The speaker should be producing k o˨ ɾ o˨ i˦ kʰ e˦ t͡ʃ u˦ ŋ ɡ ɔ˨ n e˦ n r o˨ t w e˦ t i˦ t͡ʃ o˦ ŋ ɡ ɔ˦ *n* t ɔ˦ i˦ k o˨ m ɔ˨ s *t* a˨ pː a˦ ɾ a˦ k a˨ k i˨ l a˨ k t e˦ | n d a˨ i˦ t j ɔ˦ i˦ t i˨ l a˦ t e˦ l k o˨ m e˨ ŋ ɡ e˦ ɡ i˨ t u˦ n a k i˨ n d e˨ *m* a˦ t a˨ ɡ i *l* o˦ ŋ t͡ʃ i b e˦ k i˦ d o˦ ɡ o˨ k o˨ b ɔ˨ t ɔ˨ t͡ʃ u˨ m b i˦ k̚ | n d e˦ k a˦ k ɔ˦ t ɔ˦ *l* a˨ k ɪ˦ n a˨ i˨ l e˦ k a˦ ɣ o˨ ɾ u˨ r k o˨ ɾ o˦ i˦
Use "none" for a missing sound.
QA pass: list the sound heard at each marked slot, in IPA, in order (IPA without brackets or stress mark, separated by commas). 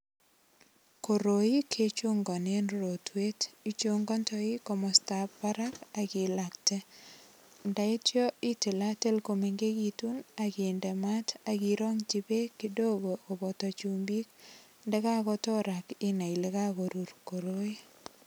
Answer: n, t, m, ɾ, ɾ